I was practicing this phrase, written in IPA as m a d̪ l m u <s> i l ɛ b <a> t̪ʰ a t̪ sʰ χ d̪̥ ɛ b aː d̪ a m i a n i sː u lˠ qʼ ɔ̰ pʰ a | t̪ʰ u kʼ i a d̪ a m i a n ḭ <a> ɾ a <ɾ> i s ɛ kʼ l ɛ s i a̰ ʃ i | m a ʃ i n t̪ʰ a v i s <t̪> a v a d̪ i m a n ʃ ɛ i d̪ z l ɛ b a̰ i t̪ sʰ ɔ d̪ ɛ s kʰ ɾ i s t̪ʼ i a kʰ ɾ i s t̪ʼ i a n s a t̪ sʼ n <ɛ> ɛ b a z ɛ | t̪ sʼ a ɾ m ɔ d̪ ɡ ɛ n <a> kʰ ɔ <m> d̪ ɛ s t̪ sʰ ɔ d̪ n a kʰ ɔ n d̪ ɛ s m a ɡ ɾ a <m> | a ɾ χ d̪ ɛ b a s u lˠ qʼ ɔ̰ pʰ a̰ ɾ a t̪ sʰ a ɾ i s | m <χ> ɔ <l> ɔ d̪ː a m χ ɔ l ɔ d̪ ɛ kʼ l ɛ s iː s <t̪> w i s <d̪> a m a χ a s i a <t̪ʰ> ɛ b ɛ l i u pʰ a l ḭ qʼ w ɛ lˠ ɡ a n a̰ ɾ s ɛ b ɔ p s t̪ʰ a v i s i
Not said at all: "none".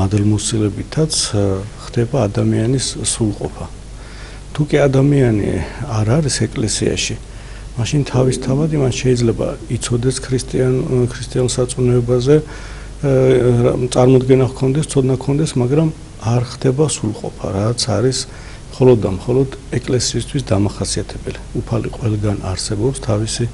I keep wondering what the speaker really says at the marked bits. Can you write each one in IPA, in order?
s, i, a, ɾ, t̪ʰ, ɛ, a, n, m, χ, l, t̪ʰ, d̪, t̪ʰ

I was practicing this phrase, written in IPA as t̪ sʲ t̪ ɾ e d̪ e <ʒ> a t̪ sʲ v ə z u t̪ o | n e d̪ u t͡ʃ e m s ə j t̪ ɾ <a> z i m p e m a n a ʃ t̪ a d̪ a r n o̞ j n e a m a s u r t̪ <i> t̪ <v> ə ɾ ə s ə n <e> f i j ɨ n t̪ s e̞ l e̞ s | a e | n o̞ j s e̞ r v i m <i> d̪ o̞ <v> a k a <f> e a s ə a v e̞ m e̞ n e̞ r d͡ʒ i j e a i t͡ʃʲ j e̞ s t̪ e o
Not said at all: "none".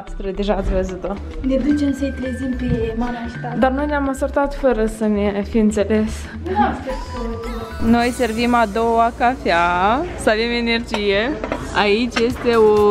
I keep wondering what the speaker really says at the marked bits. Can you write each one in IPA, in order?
ʒ, e, a, f, e, a, w, f

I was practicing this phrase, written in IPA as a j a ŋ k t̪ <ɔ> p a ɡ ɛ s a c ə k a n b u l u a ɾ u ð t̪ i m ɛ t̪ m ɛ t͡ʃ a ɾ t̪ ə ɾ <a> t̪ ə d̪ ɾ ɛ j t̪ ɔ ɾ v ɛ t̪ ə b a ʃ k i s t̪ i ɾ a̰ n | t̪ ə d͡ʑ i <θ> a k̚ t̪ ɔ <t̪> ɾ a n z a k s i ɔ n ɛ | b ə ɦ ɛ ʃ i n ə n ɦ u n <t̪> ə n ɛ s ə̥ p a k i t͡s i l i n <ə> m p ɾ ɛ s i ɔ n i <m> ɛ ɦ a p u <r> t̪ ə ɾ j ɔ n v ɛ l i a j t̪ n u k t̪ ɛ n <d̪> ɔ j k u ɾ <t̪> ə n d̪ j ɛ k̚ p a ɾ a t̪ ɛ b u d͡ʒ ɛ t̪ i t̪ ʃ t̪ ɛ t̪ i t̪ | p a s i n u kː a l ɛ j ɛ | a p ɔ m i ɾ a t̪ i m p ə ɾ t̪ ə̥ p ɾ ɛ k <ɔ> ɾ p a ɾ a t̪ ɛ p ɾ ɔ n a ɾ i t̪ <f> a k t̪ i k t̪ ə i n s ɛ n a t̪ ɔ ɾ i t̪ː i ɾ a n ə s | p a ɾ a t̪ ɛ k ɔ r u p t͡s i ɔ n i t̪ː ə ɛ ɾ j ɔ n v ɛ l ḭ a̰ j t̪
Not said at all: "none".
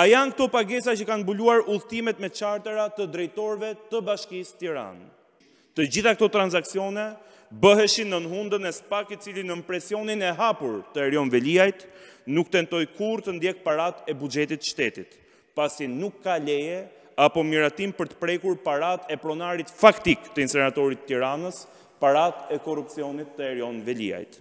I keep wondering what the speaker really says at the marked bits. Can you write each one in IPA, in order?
ɔ, a, θ, t̪, d̪, ə, n, ɾ, t̪, t̪, u, f

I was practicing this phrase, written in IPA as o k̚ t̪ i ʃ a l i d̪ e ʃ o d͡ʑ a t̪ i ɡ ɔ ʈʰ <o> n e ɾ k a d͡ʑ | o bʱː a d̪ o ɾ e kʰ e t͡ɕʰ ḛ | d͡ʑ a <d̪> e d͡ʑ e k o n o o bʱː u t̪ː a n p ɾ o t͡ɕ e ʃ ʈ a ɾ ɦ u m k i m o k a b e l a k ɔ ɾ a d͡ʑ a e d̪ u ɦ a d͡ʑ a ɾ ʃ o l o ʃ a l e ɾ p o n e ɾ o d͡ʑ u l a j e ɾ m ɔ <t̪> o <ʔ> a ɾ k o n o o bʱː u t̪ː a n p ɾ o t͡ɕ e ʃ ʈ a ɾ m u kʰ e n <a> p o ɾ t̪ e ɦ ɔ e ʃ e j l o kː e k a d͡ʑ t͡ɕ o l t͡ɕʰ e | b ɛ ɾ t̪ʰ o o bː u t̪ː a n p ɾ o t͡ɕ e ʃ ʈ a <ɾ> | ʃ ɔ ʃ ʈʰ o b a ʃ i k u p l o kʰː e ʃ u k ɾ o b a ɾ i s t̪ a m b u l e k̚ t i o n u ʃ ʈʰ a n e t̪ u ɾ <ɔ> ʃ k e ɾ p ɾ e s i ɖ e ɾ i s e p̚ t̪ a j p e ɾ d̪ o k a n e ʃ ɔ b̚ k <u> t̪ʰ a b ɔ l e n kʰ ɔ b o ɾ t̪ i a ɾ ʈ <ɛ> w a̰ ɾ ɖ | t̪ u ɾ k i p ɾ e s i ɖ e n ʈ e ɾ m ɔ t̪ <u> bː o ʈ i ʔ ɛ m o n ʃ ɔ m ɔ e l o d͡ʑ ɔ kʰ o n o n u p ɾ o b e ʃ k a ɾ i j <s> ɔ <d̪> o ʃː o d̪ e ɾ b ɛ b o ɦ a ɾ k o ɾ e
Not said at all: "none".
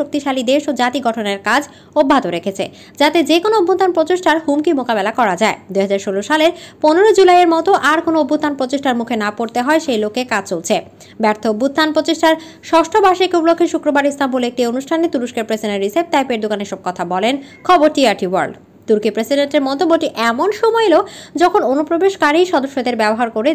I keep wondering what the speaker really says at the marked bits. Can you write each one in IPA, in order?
o, t̪, t̪, ʔ, a, ɾ, u, ɔ, i, o, ʃ, d̪

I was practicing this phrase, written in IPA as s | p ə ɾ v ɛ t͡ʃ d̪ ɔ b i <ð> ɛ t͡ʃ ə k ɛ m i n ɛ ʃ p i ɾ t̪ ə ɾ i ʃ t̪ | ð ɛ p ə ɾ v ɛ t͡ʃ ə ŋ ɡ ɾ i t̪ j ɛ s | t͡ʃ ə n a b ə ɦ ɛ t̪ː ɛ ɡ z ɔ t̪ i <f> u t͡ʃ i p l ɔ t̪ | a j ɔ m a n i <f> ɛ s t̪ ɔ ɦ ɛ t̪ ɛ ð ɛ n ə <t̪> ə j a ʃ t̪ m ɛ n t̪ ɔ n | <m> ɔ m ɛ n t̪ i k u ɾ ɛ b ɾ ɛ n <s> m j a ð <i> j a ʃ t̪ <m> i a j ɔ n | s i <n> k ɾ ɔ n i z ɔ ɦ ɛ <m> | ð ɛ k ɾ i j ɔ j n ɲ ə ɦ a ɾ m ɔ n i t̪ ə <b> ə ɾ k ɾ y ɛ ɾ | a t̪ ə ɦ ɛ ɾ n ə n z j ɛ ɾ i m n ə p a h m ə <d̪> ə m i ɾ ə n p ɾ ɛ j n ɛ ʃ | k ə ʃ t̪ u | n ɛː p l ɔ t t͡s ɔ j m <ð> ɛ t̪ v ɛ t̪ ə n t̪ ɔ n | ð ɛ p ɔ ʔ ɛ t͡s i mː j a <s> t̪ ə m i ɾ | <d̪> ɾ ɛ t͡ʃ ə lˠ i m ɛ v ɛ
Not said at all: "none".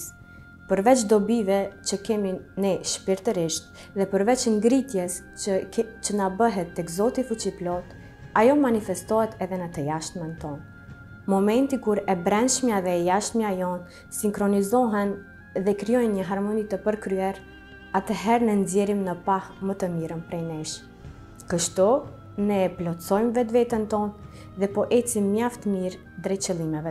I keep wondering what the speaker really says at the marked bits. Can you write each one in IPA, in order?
v, f, f, t̪, m, ʃ, ɛ, m, ŋ, n, p, t̪, v, f, d̪

